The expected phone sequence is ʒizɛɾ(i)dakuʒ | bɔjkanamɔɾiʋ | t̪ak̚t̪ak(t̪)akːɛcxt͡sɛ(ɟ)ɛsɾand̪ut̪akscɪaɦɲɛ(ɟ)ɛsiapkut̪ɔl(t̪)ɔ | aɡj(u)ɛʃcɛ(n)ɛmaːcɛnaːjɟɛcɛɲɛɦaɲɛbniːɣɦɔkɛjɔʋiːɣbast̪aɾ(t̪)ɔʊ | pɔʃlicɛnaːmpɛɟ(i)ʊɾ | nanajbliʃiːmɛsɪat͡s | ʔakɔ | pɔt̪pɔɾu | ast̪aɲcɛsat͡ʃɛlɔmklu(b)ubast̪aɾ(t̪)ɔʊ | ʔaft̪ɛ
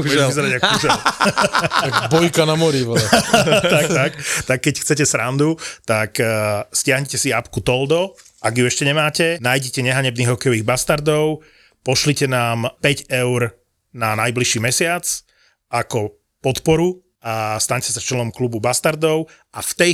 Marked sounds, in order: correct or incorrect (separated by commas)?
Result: incorrect, correct, incorrect, incorrect, incorrect, correct, incorrect, incorrect, incorrect, correct, incorrect